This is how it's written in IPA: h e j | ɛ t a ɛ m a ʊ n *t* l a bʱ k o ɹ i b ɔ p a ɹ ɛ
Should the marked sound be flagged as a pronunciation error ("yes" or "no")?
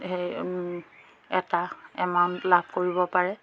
no